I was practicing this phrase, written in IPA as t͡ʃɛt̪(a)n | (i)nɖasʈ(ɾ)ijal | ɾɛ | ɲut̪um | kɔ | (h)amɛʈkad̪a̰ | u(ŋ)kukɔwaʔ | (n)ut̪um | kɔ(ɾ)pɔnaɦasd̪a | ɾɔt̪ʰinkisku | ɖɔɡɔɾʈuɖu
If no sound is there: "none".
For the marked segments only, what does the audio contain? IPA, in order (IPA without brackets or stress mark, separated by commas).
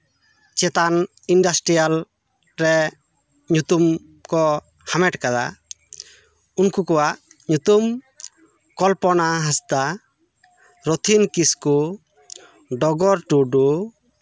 a, i, ɾ, h, n, ɲ, l